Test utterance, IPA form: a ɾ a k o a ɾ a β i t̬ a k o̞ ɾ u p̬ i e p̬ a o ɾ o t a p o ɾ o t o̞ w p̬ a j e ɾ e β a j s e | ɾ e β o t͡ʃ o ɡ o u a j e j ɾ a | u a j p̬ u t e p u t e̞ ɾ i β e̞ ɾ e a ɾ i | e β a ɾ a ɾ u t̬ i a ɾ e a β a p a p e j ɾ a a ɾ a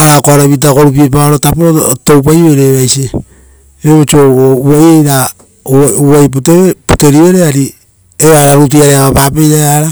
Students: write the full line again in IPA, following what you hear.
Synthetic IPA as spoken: a ɾ a k o a ɾ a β i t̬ a k o̞ ɾ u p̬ i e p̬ a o ɾ o t a p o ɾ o t o̞ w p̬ a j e ɾ e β a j s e | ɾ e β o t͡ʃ o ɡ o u a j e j ɾ a | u a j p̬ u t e p u t e̞ ɾ i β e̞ ɾ e a ɾ i | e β a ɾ a ɾ u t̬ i a ɾ e a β a p a p e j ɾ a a ɾ a